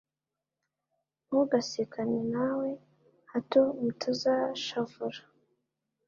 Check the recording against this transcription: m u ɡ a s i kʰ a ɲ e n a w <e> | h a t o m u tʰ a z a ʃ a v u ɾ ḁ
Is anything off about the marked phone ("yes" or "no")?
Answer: no